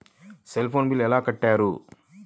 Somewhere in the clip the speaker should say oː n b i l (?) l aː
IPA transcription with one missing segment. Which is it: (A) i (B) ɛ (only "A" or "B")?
B